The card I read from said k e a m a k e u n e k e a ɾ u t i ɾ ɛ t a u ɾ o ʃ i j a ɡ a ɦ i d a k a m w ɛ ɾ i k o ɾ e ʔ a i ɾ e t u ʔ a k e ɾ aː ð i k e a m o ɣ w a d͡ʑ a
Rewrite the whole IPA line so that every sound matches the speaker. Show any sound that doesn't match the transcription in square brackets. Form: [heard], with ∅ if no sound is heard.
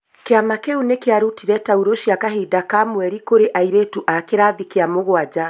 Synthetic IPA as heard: k e a m a k e u n e k e a ɾ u t i ɾ ɛ t a u ɾ o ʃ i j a [k] a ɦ i d a k a m w ɛ ɾ i k o ɾ e ʔ a i ɾ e t u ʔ a k e ɾ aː ð i k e a m o ɣ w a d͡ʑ a